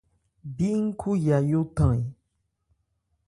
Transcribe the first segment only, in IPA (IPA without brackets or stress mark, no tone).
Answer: b